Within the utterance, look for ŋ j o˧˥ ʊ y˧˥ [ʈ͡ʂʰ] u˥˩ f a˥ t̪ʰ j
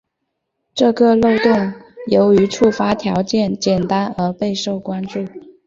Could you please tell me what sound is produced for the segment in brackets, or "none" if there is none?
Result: ʈ͡ʂʰ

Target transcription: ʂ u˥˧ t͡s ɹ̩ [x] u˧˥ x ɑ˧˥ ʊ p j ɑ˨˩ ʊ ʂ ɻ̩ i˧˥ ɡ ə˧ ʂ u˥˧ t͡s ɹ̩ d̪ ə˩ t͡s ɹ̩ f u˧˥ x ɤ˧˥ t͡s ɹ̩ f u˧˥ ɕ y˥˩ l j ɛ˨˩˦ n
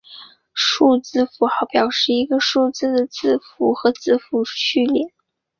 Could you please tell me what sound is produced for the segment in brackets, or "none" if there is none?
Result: f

